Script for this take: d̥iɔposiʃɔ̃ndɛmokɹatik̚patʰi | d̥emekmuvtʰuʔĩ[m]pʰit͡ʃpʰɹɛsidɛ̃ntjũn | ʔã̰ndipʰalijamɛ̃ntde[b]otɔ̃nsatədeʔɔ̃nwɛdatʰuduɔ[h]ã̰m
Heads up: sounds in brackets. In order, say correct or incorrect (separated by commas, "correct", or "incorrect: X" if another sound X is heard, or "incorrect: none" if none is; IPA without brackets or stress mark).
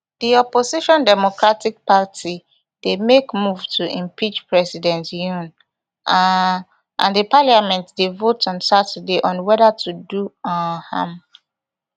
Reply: correct, incorrect: v, correct